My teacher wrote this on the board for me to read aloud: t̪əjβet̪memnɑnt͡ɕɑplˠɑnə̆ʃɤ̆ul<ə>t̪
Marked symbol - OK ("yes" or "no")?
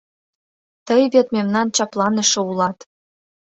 no